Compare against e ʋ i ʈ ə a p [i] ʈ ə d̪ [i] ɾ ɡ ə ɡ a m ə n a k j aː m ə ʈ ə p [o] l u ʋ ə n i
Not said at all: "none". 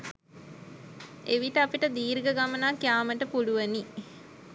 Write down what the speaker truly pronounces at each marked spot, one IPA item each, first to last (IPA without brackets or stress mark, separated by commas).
i, iː, u